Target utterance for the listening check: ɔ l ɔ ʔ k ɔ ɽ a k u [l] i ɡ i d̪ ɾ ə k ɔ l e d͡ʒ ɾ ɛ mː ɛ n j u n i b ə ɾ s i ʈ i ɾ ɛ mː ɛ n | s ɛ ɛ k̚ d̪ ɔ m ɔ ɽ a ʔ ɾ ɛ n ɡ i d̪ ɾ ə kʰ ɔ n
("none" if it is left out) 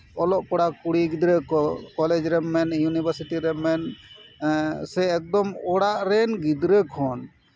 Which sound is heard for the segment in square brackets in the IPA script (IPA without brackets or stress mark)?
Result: ɽ